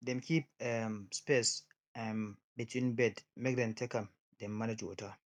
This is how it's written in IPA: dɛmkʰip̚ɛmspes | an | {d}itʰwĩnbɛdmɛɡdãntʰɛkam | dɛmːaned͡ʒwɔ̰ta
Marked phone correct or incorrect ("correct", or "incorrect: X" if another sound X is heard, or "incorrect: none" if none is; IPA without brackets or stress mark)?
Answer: incorrect: b